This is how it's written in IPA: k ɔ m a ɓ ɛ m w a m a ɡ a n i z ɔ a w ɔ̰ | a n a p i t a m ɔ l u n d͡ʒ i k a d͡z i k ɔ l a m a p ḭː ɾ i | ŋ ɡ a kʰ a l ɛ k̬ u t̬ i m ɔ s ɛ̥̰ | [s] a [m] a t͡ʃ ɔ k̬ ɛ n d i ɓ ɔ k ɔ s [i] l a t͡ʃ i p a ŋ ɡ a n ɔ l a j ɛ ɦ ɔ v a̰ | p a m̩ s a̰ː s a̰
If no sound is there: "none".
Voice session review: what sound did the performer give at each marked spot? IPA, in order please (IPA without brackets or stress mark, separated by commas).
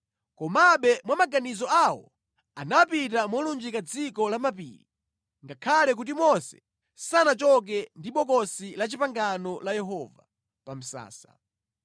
s, n, i